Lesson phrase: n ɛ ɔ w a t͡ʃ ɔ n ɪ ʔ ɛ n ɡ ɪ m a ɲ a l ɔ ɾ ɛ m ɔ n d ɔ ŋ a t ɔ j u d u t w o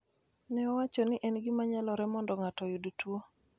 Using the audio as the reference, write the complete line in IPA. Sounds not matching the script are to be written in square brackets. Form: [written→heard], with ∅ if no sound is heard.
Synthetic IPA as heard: n ɛ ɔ w a t͡ʃ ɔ n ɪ ʔ ɛ n ɡ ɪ m a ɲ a l ɔ ɾ ɛ m ɔ n d ɔ ŋ a t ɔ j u d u t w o